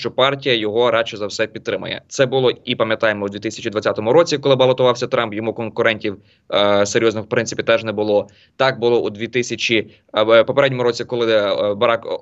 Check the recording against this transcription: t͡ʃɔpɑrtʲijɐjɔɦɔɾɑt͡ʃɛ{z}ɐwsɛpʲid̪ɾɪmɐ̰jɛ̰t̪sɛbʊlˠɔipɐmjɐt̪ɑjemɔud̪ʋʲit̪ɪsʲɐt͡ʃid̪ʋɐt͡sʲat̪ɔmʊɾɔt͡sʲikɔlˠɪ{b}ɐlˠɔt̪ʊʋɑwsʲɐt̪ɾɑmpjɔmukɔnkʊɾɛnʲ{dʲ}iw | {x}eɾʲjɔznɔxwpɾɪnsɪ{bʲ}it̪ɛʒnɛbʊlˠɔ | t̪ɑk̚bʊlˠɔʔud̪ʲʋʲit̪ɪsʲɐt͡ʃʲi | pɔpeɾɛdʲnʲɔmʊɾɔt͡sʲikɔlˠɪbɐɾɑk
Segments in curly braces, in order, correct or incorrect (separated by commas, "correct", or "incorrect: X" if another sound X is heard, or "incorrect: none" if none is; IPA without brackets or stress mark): correct, correct, incorrect: tʲ, incorrect: s, incorrect: pʲ